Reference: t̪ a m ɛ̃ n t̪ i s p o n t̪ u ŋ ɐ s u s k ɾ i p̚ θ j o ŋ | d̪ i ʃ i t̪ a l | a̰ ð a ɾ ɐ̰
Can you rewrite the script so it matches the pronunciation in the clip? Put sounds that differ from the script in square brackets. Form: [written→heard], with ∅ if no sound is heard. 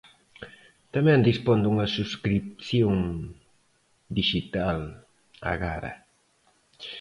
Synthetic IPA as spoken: t̪ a m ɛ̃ n [t̪→d̪] i s p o n [t̪→d̪] u ŋ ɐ s u s k ɾ i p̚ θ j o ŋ | d̪ i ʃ i t̪ a l | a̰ [ð→ɣ] a ɾ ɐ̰